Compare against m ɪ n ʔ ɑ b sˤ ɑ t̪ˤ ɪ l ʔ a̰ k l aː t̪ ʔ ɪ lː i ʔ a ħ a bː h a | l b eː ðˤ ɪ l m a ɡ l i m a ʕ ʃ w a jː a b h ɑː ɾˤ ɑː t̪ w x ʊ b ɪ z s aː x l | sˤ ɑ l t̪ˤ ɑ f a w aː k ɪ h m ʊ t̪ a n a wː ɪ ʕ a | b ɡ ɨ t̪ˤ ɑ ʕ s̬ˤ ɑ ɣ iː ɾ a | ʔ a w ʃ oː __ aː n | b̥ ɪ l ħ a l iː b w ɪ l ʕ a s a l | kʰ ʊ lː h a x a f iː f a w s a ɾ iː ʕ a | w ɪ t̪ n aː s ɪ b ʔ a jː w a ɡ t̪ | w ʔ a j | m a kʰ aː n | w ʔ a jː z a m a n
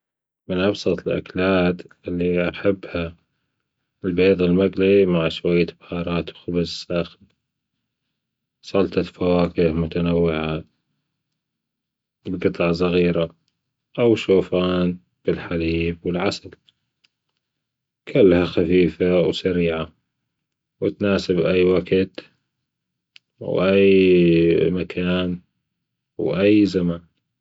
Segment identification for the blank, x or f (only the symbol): f